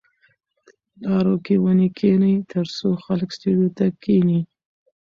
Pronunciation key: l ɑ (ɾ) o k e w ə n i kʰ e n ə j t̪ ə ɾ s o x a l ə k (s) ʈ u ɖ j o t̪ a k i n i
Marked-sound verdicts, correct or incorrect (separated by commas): correct, correct